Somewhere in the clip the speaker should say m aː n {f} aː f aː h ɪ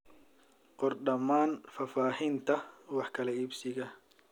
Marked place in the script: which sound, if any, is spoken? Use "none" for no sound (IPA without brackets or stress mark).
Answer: f